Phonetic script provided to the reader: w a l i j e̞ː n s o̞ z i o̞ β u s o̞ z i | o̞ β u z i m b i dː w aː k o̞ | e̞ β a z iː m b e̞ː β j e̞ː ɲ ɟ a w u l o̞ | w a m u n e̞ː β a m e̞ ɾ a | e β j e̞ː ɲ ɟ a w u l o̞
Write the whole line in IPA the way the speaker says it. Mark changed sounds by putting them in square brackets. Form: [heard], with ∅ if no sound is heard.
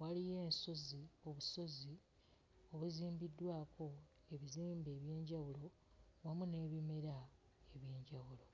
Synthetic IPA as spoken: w a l i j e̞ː n s o̞ z i o̞ β u s o̞ z i | o̞ β u z [iː] m b i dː w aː k o̞ | e̞ β [i] z iː m b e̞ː β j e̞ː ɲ ɟ a w u l o̞ | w a m u n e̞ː β [i] m e̞ ɾ a | e β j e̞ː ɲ ɟ a w u l o̞